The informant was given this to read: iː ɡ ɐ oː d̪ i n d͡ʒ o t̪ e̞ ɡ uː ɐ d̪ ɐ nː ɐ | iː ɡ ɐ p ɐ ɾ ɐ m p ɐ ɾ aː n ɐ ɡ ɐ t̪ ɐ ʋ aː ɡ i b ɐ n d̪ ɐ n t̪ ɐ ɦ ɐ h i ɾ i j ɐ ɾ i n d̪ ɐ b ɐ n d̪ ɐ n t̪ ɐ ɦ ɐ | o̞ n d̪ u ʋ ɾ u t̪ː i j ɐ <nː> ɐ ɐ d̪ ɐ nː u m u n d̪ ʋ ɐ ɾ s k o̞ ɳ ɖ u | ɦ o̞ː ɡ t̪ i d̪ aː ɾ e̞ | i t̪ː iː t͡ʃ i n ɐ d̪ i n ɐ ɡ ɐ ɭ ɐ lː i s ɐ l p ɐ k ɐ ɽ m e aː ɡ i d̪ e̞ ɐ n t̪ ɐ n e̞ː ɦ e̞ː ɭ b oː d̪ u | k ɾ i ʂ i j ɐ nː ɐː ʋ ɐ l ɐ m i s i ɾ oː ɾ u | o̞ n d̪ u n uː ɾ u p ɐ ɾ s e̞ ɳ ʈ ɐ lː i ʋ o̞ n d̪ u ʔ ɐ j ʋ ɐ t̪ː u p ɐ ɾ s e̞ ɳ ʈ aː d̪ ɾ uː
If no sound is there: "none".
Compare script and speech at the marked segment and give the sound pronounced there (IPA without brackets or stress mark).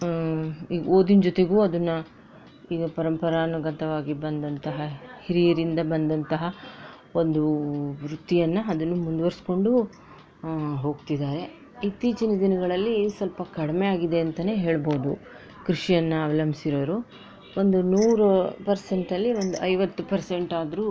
nː